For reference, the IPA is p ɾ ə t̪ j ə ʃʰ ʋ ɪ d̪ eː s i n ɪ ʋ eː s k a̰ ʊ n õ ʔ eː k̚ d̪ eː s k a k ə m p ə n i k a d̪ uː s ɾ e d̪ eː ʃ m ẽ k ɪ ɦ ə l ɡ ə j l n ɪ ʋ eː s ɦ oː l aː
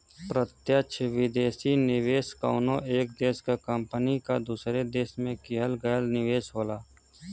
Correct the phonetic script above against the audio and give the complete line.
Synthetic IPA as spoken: p ɾ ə t̪ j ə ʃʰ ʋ ɪ d̪ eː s i n ɪ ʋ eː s k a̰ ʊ n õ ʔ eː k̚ d̪ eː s k a k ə m p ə n i k a d̪ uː s ɾ e d̪ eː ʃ m ẽ k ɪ ɦ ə l ɡ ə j l n ɪ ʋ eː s ɦ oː l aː